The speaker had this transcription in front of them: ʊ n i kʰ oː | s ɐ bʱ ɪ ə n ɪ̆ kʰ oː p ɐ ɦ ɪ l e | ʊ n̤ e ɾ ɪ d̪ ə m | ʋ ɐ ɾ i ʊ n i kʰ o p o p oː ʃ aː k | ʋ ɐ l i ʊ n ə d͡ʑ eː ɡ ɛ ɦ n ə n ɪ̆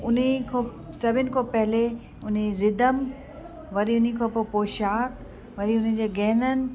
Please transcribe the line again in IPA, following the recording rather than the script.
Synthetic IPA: ʊ n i kʰ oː | s ɐ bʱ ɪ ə n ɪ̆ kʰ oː p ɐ ɦ ɪ l e | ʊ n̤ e ɾ ɪ d̪ ə m | ʋ ɐ ɾ i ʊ n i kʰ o p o p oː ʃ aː k | ʋ ɐ ɾ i ʊ n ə d͡ʑ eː ɡ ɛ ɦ n ə n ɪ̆